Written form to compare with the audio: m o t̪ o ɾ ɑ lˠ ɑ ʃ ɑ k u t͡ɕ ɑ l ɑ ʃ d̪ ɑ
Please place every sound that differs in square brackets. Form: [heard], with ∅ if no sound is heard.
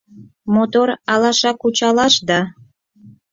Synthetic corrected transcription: m o t̪ o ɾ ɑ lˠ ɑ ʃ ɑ k u t͡ɕ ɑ l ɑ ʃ d̪ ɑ